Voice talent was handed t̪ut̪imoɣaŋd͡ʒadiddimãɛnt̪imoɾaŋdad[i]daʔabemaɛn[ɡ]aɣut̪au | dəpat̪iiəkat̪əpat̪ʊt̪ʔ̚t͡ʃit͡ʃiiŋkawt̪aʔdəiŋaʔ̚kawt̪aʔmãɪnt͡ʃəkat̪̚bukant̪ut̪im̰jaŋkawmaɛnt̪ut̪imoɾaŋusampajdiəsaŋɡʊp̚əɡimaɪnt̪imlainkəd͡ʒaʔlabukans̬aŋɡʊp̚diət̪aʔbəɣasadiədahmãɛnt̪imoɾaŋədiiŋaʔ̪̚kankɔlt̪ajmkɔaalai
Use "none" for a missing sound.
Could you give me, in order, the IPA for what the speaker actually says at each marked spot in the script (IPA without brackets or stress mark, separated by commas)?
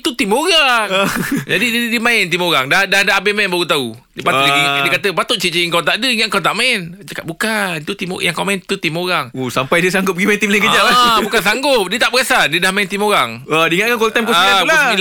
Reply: a, b